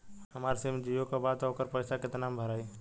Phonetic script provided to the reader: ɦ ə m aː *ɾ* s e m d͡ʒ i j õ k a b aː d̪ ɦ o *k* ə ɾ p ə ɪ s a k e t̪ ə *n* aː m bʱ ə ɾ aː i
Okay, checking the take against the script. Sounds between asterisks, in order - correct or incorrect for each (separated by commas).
correct, correct, correct